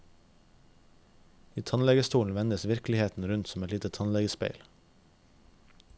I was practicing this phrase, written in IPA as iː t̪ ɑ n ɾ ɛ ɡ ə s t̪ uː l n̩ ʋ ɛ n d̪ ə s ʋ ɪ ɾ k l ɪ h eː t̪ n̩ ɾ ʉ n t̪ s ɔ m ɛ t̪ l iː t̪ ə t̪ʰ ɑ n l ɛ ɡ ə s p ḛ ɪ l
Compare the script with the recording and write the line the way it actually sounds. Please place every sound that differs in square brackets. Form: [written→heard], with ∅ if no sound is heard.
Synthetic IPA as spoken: iː [t̪→t̪ʰ] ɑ n [ɾ→l] ɛ ɡ ə s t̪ uː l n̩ ʋ ɛ n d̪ ə s ʋ ɪ ɾ k l ɪ h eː t̪ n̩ ɾ ʉ n t̪ s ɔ m ɛ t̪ l iː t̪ ə t̪ʰ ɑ n l ɛ ɡ ə s p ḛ ɪ l